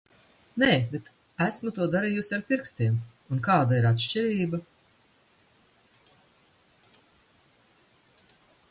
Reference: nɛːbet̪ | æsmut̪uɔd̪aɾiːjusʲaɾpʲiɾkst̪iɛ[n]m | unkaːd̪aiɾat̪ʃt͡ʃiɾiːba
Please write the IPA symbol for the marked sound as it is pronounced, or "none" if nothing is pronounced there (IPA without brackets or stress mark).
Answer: none